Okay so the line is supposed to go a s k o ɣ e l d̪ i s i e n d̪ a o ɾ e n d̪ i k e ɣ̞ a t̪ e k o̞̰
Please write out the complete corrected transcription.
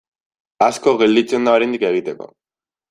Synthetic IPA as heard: a s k o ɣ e l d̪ i t͡s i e n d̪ a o ɾ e n d̪ i k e ɣ̞ i t̪ e k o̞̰